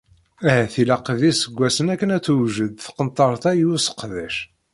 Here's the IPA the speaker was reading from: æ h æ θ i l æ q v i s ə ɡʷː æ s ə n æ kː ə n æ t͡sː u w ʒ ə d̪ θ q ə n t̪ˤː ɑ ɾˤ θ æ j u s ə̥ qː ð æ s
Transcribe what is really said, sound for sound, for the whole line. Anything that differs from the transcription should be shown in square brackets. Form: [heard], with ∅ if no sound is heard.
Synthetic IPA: æ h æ θ i l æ q v i s ə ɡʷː æ s ə n æ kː ə n æ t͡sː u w ʒ ə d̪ θ q ə n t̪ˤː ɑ ɾˤ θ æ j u s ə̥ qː ð æ [ʃ]